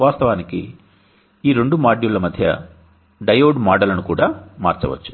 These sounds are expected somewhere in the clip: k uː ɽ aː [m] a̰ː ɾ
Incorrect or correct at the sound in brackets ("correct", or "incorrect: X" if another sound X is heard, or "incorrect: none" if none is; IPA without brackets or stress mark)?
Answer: correct